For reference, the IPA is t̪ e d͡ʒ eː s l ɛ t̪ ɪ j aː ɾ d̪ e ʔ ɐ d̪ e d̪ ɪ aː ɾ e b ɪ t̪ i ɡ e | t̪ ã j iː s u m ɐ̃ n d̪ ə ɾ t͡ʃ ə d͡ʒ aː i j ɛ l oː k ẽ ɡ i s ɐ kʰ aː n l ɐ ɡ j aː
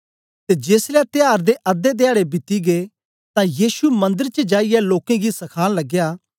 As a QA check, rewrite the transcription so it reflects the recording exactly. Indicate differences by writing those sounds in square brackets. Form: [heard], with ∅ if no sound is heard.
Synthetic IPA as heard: t̪ e d͡ʒ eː s l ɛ t̪ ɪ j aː ɾ d̪ e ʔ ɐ d̪ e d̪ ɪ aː [ɽ] e b ɪ t̪ i ɡ e | t̪ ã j iː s u m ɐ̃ n d̪ ə ɾ t͡ʃ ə d͡ʒ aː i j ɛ l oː k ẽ ɡ i s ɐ kʰ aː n l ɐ ɡ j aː